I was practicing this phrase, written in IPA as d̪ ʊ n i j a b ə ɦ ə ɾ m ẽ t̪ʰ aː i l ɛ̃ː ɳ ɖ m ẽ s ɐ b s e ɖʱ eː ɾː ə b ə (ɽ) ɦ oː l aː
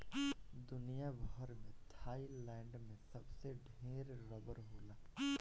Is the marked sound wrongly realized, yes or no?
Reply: yes